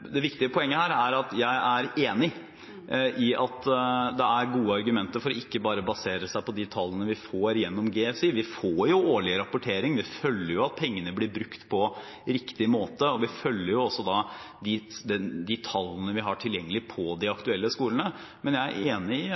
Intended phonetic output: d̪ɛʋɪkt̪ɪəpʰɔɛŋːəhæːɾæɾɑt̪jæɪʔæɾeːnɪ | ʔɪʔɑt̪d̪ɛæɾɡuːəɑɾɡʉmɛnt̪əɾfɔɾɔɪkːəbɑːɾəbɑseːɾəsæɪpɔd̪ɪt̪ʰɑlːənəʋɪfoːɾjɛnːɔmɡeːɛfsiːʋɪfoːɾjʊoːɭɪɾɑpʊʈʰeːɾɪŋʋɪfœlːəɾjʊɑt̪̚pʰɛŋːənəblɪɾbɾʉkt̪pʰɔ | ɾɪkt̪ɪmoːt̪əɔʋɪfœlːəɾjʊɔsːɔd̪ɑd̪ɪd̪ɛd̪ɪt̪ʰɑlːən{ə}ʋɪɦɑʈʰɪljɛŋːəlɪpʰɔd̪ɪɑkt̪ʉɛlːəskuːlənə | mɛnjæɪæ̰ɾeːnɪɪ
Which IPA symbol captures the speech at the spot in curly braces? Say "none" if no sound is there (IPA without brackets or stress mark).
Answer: ə